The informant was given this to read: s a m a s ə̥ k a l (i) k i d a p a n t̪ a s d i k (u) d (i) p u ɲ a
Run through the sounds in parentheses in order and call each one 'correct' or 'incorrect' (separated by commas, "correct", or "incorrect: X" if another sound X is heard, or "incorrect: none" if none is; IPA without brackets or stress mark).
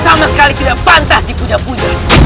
correct, correct, incorrect: a